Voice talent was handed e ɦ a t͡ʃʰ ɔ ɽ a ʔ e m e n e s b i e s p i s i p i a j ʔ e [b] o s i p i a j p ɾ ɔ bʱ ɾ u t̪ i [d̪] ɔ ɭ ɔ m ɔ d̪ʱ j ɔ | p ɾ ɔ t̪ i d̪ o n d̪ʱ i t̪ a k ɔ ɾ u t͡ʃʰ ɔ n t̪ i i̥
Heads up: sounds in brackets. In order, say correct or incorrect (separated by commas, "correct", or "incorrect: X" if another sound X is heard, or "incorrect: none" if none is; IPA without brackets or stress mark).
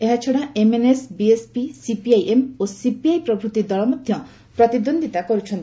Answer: incorrect: m, correct